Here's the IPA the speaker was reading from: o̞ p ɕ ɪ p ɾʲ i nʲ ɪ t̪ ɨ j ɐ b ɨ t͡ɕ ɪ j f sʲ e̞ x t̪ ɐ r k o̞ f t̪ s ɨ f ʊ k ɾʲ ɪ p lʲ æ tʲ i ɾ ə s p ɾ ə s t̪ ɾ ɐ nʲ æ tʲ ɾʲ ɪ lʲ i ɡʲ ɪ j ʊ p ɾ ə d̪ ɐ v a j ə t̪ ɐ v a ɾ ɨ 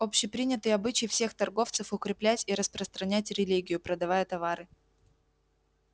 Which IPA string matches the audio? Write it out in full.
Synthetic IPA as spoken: o̞ p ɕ ɪ p ɾʲ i nʲ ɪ t̪ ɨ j ɐ b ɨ t͡ɕ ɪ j f sʲ e̞ x t̪ ɐ r ɡ o̞ f t̪ s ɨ f ʊ k ɾʲ ɪ p lʲ æ tʲ i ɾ ə s p ɾ ə s t̪ ɾ ɐ nʲ æ tʲ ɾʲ ɪ lʲ i ɡʲ ɪ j ʊ p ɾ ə d̪ ɐ v a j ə t̪ ɐ v a ɾ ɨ

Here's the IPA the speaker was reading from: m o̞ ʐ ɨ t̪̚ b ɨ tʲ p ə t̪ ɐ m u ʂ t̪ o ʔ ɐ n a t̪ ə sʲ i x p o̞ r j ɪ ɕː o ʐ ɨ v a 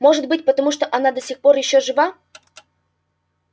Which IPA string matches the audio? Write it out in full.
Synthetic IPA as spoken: m o̞ ʐ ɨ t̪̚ b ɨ tʲ p ə t̪ ɐ m u ʂ t̪ o ʔ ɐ n a d̪ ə sʲ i x p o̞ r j ɪ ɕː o ʐ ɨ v a

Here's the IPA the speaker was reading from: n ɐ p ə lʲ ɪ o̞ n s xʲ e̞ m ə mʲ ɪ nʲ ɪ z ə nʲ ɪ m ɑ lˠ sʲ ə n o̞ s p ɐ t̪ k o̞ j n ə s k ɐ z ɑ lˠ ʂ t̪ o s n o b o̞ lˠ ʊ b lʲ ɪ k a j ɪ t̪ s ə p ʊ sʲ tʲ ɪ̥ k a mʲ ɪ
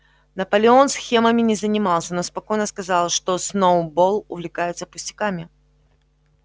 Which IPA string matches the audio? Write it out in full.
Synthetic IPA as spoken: n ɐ p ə lʲ ɪ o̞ n s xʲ e̞ m ə mʲ ɪ nʲ ɪ z ə nʲ ɪ m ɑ lˠ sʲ ə n o̞ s p ɐ k o̞ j n ə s k ɐ z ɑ lˠ ʂ t̪ o s n o b o̞ lˠ ʊ v lʲ ɪ k a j ɪ t̪ s ə p ʊ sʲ tʲ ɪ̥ k a mʲ ɪ

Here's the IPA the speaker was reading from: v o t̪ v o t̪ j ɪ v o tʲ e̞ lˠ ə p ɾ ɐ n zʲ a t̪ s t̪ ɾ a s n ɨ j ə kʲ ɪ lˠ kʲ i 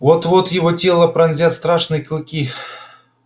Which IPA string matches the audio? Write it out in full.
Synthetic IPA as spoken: v o t̪ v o t̪ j ɪ v o tʲ e̞ lˠ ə p ɾ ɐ n zʲ a t̪ s t̪ ɾ a ʂ n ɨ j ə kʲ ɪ lˠ kʲ i

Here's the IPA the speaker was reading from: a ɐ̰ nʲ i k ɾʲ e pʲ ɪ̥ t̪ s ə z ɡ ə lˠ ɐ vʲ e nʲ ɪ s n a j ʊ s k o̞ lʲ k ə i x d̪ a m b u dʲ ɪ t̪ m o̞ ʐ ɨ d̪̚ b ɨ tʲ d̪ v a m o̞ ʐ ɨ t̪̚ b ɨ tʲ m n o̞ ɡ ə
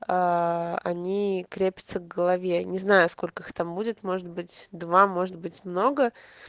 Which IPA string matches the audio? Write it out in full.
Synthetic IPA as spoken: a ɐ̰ nʲ i k ɾʲ e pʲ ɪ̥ t̪ s ə v ɡ ə lˠ ɐ vʲ e nʲ ɪ z n a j ʊ s k o̞ lʲ k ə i x t̪ a m b u dʲ ɪ t̪ m o̞ ʐ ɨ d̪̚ b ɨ tʲ d̪ v a m o̞ ʐ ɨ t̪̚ b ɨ tʲ m n o̞ ɡ ə

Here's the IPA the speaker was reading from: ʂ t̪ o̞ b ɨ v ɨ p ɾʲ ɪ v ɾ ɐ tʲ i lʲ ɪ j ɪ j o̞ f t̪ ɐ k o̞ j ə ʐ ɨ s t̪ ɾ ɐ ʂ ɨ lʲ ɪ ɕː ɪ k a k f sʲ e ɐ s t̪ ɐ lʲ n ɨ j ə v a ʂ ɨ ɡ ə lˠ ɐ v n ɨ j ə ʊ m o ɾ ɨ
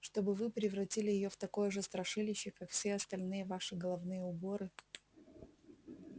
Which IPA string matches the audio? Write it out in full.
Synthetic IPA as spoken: ʂ t̪ o̞ b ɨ v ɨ p ɾʲ ɪ v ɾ ɐ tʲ i lʲ ɪ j ɪ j o̞ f t̪ ɐ k o̞ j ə ʐ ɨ s t̪ ɾ ɐ ʂ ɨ lʲ ɪ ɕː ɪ k a k f sʲ e ɐ s t̪ ɐ lʲ n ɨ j ə v a ʂ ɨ ɡ ə lˠ ɐ v n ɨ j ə ʊ b o ɾ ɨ

